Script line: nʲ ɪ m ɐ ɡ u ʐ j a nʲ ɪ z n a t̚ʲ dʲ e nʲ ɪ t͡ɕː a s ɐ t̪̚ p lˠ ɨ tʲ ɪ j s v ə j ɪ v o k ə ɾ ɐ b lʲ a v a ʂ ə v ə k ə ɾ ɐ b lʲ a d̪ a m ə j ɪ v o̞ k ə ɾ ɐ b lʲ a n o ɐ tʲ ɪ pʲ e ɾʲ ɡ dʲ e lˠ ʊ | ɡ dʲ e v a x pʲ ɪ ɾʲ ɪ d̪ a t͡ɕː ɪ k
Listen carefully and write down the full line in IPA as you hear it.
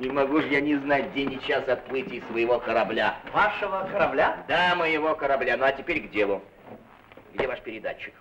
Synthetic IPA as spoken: nʲ ɪ m ɐ ɡ u ʐ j a nʲ ɪ z n a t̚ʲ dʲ e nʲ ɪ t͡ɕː a s ɐ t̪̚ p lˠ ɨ tʲ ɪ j s v ə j ɪ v o k ə ɾ ɐ b lʲ a v a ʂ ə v ə k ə ɾ ɐ b lʲ a d̪ a m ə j ɪ v o̞ k ə ɾ ɐ b lʲ a n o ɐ tʲ ɪ pʲ e ɾʲ ɡ dʲ e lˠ ʊ | ɡ dʲ e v a ʂ pʲ ɪ ɾʲ ɪ d̪ a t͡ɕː ɪ k